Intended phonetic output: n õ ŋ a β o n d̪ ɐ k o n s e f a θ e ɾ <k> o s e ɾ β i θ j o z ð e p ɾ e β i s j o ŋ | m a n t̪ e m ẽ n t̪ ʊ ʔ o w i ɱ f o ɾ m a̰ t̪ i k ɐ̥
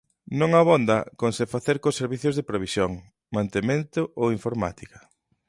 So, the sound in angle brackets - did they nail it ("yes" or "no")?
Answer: yes